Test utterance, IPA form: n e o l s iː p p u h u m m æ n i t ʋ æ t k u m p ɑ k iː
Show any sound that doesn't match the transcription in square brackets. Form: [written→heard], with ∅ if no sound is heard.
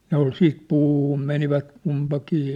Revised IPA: n e o l s iː [p→t] p [u→uː] h u m m [æ→e] n i [t→∅] ʋ æ t k u m p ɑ k iː

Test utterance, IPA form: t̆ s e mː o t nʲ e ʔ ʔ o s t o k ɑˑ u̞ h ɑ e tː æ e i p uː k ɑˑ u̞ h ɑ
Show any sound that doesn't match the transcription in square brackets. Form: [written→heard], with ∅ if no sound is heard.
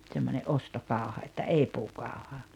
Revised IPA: t̆ s e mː o [t→∅] nʲ e ʔ ʔ o s t o k ɑˑ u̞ h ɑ e tː æ e i p uː k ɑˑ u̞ h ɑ

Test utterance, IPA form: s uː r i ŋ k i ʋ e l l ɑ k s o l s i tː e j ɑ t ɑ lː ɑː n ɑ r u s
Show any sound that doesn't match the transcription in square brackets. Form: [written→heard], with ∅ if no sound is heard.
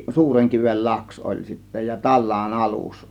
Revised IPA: s uː r [i→e] ŋ k i ʋ e l l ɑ k s o l s i tː [e→æ] j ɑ t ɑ lː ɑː n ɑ [r→l] u s

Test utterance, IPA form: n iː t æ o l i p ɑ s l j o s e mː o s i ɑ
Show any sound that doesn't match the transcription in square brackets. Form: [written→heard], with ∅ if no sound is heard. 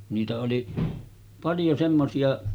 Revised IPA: n iː t æ o l i p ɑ [s→∅] l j o s e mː o s i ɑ

